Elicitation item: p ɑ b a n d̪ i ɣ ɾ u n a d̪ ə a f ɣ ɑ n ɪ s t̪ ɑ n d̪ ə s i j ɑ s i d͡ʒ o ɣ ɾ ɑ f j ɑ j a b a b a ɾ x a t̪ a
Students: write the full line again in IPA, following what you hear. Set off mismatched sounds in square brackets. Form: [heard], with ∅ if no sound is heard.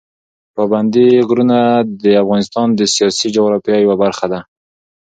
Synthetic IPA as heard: p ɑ b a n d̪ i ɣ ɾ u n a d̪ ə a f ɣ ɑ n ɪ s t̪ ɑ n d̪ ə s i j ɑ s i d͡ʒ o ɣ ɾ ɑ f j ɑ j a [w] a b a ɾ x a [d̪] a